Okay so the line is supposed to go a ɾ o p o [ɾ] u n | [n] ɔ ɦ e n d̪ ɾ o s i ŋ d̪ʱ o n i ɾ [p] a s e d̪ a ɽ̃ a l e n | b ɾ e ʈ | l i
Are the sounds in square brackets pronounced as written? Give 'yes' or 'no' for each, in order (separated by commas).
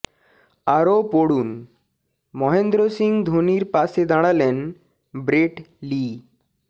no, no, yes